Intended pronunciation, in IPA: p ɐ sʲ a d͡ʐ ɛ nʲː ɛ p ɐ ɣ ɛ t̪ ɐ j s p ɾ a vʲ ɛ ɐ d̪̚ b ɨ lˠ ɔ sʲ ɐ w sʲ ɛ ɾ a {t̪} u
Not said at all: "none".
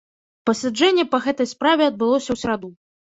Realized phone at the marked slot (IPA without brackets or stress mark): d̪